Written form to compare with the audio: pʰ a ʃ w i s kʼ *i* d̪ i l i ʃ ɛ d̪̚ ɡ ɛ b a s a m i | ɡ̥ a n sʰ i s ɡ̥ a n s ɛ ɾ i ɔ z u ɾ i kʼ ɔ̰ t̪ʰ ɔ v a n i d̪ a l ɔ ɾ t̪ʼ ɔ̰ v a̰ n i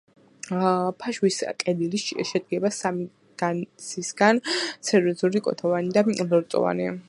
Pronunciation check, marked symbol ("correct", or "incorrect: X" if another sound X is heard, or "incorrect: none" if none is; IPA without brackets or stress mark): incorrect: ɛ